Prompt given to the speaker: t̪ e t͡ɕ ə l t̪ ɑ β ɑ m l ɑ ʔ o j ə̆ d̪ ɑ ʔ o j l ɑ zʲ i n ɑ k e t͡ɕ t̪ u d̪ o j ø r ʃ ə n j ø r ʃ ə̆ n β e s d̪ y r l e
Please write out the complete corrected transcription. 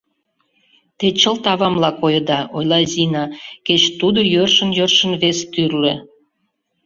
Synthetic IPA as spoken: t̪ e t͡ɕ ə l t̪ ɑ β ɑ m l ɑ k o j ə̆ d̪ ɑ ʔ o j l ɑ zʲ i n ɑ k e t͡ɕ t̪ u d̪ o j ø r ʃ ə n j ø r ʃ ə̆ n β e s t̪ y r l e